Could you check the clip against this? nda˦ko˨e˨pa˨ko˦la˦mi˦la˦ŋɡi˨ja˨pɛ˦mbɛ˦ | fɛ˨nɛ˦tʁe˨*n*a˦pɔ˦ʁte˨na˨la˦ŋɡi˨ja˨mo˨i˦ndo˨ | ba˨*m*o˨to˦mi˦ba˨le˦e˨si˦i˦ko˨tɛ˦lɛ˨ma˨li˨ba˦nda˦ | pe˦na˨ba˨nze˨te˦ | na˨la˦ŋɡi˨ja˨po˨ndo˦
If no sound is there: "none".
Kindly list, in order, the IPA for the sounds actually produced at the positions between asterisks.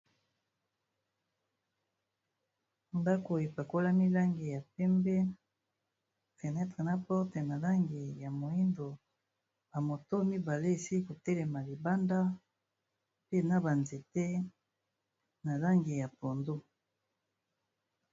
n, m

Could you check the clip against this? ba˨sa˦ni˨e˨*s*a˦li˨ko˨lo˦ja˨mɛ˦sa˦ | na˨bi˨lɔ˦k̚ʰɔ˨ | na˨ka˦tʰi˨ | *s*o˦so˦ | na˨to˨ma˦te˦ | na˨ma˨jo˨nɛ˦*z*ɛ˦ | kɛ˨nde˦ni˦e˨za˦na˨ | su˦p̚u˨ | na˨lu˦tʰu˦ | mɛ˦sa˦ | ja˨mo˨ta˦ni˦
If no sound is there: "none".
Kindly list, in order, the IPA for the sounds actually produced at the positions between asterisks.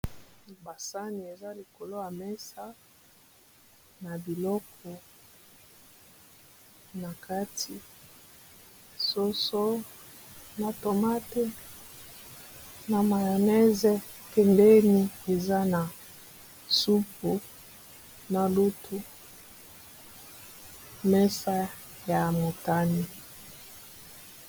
z, s, z

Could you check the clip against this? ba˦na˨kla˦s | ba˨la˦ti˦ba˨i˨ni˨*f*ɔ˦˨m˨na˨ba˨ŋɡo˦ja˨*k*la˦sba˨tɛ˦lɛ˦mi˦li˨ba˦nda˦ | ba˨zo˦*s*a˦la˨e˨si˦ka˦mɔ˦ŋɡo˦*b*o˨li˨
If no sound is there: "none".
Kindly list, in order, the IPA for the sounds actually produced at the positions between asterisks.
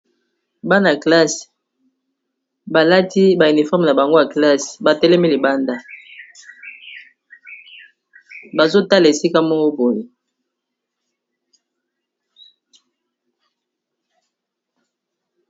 f, k, t, b

